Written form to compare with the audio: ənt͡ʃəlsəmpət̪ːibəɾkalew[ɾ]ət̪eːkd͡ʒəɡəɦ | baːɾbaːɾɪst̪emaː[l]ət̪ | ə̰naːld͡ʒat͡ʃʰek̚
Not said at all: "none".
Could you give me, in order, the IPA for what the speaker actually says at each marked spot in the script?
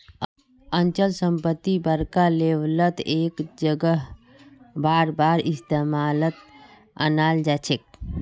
l, l

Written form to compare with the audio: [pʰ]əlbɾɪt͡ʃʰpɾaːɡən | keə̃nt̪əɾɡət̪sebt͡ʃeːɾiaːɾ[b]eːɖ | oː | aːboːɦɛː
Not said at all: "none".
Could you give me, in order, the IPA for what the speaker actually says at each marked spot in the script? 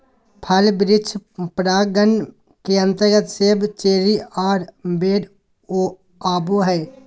pʰ, b

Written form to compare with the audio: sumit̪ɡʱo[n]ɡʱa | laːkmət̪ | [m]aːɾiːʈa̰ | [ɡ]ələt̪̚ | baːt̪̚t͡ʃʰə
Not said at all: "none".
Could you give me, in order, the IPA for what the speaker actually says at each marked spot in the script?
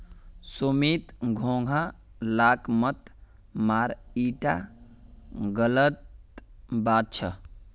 ŋ, m, ɡ

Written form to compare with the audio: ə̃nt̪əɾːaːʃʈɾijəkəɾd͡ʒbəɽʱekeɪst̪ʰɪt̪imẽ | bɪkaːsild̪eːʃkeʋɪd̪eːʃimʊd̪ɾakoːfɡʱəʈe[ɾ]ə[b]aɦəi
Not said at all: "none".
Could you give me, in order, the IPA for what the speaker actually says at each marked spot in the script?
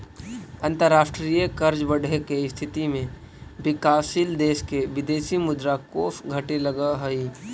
l, ɡ

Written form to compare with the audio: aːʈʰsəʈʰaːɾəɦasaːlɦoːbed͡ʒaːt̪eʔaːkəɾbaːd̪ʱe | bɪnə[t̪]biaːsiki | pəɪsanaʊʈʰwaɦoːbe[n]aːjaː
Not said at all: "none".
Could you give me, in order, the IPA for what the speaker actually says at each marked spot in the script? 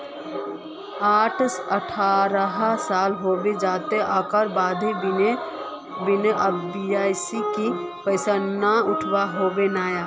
none, n

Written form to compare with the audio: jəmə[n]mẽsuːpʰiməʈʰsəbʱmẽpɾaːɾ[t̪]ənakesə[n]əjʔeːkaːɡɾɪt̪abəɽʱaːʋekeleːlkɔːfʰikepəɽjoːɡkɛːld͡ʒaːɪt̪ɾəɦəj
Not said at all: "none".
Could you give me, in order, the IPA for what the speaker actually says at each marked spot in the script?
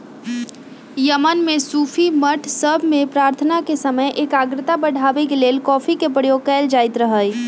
n, t̪ʰ, m

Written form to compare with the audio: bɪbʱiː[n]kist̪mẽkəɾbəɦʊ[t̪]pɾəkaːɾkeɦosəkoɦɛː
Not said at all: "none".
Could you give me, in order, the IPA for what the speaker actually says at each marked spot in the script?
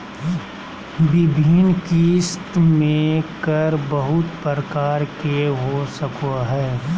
n, t̪

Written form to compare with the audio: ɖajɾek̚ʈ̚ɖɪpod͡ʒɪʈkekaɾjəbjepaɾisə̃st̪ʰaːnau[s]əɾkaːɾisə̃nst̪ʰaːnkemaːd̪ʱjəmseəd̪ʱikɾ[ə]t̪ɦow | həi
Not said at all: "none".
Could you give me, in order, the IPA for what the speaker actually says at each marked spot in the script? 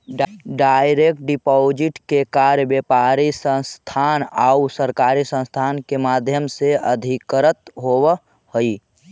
s, ə

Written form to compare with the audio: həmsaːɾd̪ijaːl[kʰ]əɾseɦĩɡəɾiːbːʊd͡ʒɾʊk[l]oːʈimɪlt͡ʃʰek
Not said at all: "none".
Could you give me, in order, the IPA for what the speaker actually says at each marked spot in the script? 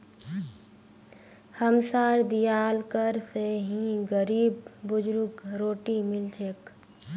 k, ɾ

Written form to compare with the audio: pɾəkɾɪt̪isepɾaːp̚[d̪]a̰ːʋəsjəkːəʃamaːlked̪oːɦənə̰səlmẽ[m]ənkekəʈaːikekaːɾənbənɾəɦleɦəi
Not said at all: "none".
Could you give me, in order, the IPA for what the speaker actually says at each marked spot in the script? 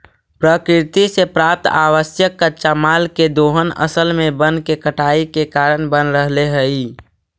t̪, b

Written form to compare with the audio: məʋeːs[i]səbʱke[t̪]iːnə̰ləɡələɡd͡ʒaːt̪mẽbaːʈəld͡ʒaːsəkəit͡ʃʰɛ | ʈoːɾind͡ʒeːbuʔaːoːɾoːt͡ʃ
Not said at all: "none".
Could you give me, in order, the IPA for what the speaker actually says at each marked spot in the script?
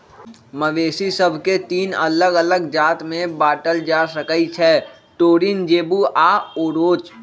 i, t̪

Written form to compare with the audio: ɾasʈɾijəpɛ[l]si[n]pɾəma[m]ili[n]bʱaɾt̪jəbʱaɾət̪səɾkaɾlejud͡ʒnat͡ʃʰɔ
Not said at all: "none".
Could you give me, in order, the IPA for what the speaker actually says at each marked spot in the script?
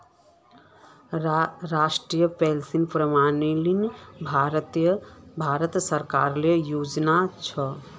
l, n, n, n

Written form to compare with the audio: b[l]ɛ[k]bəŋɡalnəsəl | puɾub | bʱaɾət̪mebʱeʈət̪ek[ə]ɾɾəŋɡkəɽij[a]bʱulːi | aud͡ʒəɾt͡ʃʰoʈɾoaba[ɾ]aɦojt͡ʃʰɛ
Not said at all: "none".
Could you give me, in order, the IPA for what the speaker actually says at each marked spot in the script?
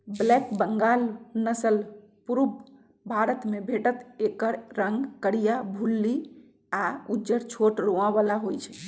l, k, ə, a, l

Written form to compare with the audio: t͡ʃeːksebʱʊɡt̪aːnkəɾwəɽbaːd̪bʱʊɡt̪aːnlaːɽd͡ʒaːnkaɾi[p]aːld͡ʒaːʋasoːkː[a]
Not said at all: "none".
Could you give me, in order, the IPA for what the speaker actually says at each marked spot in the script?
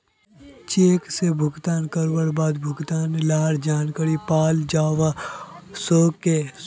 p, e

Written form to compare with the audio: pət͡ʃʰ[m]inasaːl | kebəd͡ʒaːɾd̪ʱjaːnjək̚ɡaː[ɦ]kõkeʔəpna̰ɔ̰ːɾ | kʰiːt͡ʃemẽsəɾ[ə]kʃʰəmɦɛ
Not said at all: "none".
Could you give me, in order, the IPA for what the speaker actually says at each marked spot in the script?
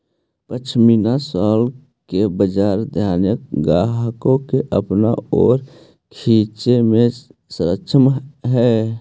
m, ɦ, ə

